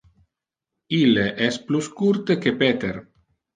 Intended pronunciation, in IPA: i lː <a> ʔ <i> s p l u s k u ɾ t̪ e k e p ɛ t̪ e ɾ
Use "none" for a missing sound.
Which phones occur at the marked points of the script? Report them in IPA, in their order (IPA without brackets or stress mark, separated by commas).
e, ɛ